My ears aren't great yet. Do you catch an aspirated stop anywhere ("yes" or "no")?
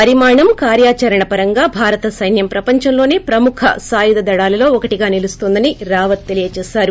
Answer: yes